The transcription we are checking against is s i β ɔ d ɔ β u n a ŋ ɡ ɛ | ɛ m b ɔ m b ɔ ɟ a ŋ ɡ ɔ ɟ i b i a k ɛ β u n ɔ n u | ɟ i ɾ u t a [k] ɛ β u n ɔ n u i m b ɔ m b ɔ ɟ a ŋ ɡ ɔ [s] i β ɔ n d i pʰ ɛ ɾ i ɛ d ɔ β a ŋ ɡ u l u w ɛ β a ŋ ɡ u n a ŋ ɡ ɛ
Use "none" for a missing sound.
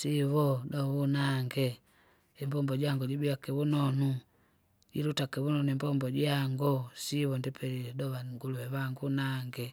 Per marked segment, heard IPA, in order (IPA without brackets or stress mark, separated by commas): k, s